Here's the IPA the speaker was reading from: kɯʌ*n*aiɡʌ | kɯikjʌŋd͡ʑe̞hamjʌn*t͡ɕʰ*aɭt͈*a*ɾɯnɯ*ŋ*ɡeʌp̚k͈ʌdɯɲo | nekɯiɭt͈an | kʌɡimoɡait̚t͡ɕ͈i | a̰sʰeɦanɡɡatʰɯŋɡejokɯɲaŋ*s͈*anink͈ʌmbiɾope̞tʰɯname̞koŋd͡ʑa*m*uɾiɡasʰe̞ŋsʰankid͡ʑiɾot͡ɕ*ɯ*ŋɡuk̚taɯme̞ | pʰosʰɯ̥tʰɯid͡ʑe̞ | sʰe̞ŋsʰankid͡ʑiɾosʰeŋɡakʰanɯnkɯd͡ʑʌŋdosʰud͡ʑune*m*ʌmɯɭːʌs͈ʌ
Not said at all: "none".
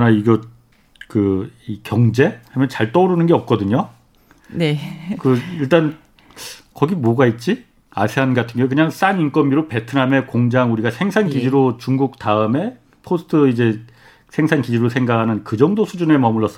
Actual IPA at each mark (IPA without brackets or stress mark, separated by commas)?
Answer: n, t͡ɕ, ʌ, n, s͈, ŋ, u, m